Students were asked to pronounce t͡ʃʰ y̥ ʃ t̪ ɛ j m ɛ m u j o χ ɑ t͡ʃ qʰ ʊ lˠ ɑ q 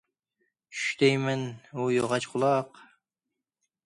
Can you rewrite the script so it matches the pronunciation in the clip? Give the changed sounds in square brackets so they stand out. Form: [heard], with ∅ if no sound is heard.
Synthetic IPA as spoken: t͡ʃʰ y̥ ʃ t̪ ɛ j m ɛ [n] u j o [ʁ] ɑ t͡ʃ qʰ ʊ lˠ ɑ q